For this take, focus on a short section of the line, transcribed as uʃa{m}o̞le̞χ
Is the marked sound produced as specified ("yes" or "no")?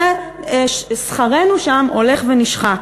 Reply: yes